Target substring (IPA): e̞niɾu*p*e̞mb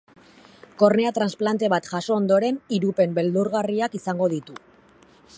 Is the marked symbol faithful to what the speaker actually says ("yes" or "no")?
yes